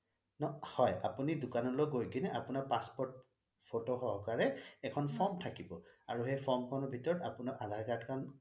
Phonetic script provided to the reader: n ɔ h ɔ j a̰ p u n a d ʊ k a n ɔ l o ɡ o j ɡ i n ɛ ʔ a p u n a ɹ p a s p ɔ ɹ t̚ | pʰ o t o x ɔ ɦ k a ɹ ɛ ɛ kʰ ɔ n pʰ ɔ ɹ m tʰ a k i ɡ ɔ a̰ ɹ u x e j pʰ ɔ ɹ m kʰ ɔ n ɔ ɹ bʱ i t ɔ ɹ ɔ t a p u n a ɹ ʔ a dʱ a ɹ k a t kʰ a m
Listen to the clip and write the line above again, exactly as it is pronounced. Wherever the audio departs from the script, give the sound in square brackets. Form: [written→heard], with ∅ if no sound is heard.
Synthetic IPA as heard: n ɔ h ɔ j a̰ p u n [a→i] d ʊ k a n ɔ l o ɡ o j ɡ i n ɛ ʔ a p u n a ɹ p a s p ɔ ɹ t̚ | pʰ o t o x ɔ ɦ k a ɹ ɛ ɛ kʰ ɔ n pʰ ɔ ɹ m tʰ a k i [ɡ→b] ɔ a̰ ɹ u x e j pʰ ɔ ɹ m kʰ ɔ n ɔ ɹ bʱ i t ɔ ɹ ɔ t a p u n a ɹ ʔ a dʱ a ɹ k a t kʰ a [m→n]